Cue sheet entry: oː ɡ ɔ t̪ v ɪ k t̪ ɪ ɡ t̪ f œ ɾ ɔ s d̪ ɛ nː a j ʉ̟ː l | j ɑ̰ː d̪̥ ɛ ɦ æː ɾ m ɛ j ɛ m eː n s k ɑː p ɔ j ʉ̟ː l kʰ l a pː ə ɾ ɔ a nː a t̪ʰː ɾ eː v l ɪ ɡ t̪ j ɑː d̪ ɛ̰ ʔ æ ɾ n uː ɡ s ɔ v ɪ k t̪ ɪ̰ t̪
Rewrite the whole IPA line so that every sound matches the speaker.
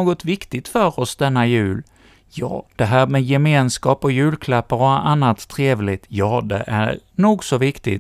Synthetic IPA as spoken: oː ɡ ɔ t̪ v ɪ k t̪ ɪ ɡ t̪ f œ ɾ ɔ s d̪ ɛ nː a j ʉ̟ː l | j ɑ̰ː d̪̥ ɛ ɦ æː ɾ m ɛ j ɛ m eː n s k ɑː p ɔ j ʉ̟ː l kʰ l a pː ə ɾ ɔ a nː a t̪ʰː ɾ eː v l ɪ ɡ t̪ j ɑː d̪ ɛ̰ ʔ æ ɾ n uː ɡ s ɔ v ɪ k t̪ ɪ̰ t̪